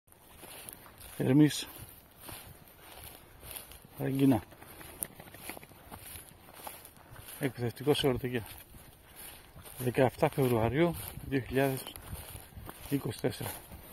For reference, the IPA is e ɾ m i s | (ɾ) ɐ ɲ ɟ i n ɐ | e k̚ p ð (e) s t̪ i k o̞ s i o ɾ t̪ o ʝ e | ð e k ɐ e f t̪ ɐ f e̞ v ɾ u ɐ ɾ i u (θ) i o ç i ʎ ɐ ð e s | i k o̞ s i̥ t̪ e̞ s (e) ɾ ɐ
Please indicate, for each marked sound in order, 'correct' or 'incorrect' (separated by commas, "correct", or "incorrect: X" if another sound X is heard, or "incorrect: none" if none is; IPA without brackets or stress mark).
correct, correct, incorrect: ð, correct